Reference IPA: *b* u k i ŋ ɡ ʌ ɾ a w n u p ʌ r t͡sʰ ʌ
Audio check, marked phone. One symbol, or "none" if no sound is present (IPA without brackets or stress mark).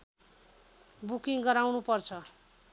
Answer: b